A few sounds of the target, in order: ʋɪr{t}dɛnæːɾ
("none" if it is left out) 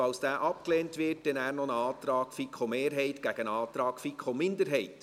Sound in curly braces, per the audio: t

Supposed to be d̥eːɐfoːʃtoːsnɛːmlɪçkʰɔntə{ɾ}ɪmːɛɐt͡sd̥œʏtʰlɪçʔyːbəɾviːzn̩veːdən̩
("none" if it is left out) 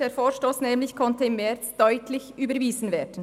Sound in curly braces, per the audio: none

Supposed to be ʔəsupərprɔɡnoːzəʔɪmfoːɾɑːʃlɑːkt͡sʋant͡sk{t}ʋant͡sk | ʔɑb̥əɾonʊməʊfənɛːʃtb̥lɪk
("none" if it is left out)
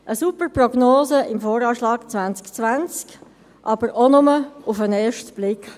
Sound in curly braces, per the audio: t͡s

